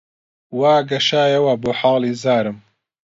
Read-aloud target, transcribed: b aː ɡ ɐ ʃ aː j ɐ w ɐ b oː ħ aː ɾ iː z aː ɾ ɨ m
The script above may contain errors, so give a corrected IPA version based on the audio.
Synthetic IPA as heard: w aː ɡ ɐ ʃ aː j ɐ w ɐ b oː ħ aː l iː z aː ɾ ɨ m

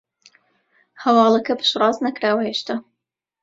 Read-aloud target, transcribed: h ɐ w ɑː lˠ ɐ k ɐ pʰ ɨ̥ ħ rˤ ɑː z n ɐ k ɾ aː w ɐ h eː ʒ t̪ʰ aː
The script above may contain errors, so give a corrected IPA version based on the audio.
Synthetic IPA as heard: h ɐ w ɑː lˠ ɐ k ɐ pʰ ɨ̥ ʃ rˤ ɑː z n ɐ k ɾ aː w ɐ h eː ʃ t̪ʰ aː

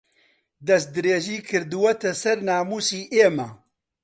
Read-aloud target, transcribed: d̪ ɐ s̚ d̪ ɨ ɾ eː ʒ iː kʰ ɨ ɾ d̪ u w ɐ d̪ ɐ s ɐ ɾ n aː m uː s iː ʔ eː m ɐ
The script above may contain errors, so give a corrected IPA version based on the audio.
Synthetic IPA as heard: d̪ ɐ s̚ d̪ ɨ ɾ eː ʒ iː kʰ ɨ ɾ d̪ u w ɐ t̪ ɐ s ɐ ɾ n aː m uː s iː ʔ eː m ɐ

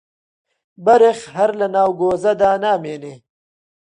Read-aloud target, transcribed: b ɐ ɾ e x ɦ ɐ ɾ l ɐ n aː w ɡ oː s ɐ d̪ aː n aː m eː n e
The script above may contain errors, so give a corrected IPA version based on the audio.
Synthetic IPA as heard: b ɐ ɾ e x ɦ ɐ ɾ l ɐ n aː w ɡ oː z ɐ d̪ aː n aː m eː n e

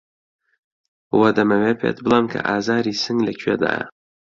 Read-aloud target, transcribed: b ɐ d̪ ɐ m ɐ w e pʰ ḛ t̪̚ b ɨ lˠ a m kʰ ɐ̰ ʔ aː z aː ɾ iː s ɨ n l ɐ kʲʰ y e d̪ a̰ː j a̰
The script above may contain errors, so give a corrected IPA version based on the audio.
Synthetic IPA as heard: w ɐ d̪ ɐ m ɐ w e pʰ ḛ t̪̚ b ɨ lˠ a m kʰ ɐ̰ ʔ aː z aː ɾ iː s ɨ ŋ l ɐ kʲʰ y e d̪ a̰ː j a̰

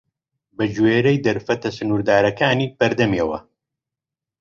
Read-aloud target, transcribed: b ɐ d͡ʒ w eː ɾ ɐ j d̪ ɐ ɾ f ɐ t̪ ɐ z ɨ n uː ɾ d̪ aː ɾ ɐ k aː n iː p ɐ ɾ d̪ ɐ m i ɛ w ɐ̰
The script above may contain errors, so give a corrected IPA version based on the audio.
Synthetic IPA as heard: b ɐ d͡ʒ w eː ɾ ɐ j d̪ ɐ ɾ f ɐ t̪ ɐ s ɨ n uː ɾ d̪ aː ɾ ɐ k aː n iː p ɐ ɾ d̪ ɐ m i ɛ w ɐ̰

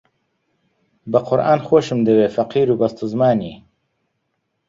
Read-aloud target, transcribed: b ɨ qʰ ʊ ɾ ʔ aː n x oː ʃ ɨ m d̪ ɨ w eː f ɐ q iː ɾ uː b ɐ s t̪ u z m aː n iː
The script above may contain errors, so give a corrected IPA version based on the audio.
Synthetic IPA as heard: b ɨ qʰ ʊ ɾ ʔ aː n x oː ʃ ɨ m d̪ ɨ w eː f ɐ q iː ɾ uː b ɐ s t̪ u z m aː n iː

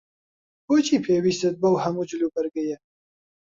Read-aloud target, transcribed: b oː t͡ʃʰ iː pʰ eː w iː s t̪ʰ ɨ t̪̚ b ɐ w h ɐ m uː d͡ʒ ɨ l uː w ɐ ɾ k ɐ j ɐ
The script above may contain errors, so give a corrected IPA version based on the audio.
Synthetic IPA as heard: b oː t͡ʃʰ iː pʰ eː w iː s t̪ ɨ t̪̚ b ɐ w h ɐ m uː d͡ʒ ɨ l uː b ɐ ɾ ɡ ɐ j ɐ

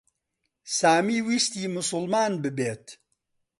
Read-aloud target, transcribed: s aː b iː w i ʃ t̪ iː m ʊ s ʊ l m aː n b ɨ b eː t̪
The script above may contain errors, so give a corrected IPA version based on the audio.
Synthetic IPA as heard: s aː m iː w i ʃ t̪ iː m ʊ s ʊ l m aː n b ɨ b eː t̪

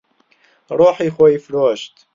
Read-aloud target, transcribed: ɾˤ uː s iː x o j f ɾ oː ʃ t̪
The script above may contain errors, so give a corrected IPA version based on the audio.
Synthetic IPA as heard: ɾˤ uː ħ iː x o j f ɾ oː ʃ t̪

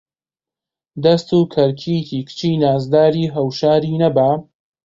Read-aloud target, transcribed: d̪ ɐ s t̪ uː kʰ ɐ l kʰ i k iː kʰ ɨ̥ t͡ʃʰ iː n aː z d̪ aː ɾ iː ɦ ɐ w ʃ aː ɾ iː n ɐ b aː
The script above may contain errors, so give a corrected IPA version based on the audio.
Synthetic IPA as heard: d̪ ɐ s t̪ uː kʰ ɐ ɾ kʰ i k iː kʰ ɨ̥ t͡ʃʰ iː n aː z d̪ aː ɾ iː ɦ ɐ w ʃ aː ɾ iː n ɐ b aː

